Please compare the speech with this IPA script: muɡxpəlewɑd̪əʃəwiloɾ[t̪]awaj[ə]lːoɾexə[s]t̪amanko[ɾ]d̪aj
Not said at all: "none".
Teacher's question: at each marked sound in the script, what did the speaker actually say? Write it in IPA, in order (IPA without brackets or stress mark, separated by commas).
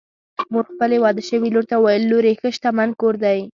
t̪, ə, ʃ, ɾ